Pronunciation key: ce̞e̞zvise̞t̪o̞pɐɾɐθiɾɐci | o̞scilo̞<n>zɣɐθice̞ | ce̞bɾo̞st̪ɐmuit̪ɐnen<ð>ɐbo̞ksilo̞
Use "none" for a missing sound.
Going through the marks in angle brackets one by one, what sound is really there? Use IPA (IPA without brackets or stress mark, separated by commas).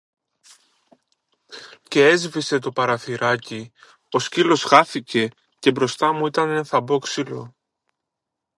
none, θ